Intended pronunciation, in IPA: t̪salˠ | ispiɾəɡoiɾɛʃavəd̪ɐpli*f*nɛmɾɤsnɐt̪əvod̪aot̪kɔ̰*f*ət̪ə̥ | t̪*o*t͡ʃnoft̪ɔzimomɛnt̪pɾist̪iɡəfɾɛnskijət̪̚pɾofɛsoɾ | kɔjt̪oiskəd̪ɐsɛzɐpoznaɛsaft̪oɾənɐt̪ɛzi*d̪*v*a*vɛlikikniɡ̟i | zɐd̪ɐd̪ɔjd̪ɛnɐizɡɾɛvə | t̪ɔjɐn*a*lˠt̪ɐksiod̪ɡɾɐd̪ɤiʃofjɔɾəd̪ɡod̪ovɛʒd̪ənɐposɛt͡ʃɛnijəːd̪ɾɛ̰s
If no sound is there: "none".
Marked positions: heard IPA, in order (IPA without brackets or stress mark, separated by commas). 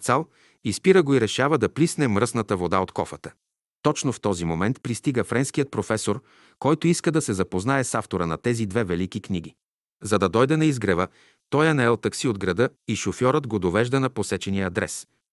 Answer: s, f, ɔ, d̪, ɛ, ɛ